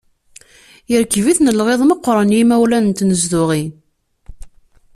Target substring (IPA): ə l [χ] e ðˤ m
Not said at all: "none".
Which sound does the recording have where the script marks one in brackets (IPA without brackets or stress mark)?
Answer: ʁ